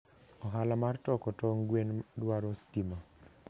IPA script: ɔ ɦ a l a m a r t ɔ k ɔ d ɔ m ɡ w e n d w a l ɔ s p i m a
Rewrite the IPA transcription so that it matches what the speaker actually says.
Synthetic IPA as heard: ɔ ɦ a l a m a r t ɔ k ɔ t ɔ ŋ ɡ w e n d w a ɾ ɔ s t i m a